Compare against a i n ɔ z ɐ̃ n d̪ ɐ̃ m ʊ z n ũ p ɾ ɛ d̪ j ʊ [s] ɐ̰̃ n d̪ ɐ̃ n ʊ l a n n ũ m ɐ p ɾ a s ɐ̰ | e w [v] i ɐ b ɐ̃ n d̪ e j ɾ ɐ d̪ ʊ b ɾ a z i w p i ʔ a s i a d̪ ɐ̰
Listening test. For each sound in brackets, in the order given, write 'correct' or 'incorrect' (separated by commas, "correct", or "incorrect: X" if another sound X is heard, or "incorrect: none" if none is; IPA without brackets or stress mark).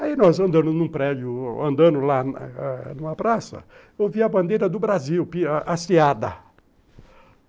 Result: incorrect: none, correct